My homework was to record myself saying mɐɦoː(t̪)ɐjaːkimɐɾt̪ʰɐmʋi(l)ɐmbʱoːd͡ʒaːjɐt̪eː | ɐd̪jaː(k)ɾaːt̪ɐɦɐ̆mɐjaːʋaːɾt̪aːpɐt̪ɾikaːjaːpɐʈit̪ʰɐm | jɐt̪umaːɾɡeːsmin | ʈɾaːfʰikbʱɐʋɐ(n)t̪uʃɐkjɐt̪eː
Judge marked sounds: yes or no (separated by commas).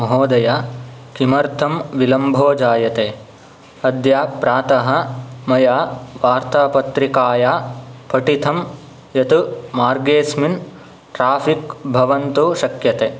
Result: no, yes, no, yes